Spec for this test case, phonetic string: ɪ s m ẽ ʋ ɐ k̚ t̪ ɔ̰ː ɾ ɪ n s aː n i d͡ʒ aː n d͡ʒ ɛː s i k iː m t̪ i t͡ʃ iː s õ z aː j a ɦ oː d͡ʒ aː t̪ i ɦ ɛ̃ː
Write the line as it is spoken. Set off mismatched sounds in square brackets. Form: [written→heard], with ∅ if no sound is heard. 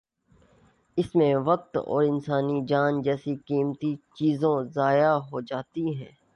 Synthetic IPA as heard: ɪ s m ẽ ʋ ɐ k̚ t̪ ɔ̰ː ɾ ɪ n s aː n i d͡ʒ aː n d͡ʒ ɛː s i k iː m t̪ i t͡ʃ iː [s→z] õ z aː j a ɦ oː d͡ʒ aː t̪ i ɦ ɛ̃ː

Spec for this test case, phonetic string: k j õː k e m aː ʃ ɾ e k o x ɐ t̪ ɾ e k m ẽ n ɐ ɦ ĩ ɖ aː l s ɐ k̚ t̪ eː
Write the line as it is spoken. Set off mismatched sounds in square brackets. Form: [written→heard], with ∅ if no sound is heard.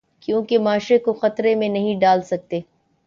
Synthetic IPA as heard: k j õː k e m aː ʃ ɾ e k o x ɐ t̪ ɾ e [k→∅] m ẽ n ɐ ɦ ĩ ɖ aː l s ɐ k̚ t̪ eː

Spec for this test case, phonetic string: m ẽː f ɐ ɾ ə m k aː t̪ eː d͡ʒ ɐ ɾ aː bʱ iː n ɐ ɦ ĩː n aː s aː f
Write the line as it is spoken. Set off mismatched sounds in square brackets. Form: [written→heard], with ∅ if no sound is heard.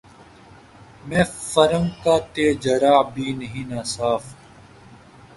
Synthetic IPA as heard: m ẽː f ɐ ɾ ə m k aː t̪ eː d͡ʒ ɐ ɾ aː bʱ iː n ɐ ɦ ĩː n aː s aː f

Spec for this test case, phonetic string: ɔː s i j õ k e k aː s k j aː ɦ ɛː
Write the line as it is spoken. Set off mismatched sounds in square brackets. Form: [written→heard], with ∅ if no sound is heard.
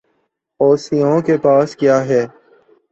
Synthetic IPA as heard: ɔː s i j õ k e [k→p] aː s k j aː ɦ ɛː

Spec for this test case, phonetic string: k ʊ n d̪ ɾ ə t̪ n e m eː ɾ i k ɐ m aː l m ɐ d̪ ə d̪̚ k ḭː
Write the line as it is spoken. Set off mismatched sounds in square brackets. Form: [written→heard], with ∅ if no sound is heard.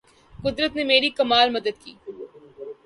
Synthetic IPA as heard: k ʊ [n→∅] d̪ ɾ ə t̪ n e m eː ɾ i k ɐ m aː l m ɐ d̪ ə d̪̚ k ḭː

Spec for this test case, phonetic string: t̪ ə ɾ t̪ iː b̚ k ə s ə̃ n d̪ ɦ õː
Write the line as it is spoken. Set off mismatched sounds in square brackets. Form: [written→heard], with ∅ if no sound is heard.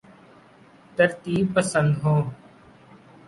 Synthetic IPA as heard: t̪ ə ɾ t̪ iː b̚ [k→p] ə s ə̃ n d̪ ɦ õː

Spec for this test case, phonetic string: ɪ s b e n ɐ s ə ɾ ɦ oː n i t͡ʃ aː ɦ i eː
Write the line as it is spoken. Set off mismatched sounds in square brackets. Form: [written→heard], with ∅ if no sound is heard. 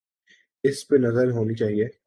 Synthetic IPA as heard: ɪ s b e n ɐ [s→z] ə ɾ ɦ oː n i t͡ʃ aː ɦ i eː

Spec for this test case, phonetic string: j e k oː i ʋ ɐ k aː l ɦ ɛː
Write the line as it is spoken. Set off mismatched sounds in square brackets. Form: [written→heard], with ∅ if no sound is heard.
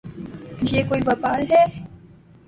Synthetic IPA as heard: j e k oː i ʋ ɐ [k→p] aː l ɦ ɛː

